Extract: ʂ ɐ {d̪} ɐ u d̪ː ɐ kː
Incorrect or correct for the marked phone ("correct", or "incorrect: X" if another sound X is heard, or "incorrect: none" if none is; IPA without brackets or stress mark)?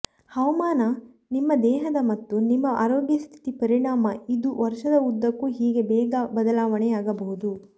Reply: correct